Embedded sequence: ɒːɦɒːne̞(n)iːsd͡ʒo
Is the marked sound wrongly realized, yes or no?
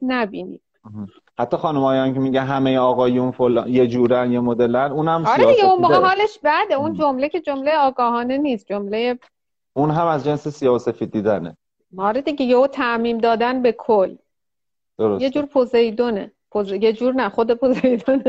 no